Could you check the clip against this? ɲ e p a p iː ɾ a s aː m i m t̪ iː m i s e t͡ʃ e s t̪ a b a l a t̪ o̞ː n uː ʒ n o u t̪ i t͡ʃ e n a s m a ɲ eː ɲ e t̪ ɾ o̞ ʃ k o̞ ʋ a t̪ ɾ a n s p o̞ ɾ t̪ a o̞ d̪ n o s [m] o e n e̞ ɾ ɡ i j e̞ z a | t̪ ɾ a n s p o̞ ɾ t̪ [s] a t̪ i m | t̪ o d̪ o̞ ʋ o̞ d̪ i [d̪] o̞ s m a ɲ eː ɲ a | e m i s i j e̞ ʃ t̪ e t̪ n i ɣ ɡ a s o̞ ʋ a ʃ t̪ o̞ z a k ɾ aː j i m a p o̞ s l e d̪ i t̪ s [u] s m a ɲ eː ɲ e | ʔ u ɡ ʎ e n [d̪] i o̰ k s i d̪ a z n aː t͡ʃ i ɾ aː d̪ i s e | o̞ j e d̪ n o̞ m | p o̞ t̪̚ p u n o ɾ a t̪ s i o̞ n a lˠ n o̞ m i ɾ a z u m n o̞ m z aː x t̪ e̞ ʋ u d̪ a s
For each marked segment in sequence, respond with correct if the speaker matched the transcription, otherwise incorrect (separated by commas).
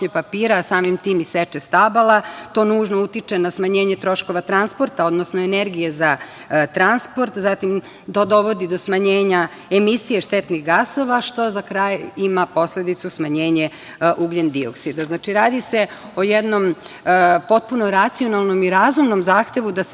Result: incorrect, incorrect, correct, correct, correct